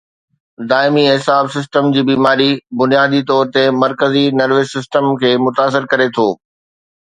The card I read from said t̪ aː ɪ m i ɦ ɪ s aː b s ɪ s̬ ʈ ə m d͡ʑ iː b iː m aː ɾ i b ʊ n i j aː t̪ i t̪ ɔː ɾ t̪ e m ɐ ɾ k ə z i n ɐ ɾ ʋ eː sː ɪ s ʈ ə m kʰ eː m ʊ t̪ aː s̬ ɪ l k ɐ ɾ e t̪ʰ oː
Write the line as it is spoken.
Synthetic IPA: d̪ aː ɪ m i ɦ ɪ s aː b s ɪ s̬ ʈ ə m d͡ʑ iː b iː m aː ɾ i b ʊ n i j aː d̪ i t̪ ɔː ɾ t̪ e m ɐ ɾ k ə z i n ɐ ɾ ʋ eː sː ɪ s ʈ ə m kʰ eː m ʊ t̪ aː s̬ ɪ ɾ k ɐ ɾ e t̪ʰ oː